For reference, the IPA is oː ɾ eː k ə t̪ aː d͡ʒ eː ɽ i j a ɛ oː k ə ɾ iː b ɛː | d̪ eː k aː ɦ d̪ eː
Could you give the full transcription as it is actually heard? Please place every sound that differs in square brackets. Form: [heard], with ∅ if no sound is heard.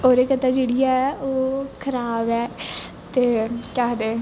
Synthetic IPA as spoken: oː ɾ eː k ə t̪ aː d͡ʒ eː ɽ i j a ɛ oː [kʰ] ə ɾ [aː] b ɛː | [t̪] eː k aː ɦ d̪ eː